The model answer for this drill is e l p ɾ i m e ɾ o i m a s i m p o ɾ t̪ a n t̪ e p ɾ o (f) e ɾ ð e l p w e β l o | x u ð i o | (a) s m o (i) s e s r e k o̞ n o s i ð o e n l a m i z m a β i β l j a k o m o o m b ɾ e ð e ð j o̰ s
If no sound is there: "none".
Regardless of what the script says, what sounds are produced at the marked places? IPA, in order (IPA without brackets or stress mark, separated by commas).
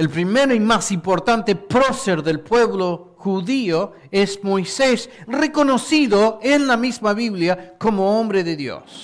s, e, j